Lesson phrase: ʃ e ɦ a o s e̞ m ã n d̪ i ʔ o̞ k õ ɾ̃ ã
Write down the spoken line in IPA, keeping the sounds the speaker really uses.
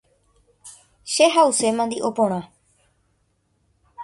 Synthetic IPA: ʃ e ɦ a u s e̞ m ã n d̪ i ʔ o̞ p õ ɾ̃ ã